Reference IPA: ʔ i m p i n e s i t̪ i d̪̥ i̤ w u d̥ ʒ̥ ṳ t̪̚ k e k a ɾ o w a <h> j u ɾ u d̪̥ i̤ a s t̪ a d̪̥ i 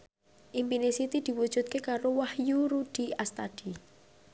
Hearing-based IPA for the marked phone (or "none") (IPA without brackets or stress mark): h